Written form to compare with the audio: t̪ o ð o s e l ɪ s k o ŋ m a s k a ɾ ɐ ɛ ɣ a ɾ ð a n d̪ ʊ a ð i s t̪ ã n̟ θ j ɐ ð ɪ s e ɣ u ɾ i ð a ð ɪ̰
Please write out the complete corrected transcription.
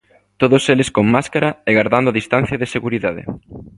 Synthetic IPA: t̪ o ð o s e l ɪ s k o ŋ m a s k a ɾ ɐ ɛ ɣ a ɾ ð a n d̪ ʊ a ð i s t̪ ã n̟ θ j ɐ ð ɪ s e ɣ u ɾ i ð a ð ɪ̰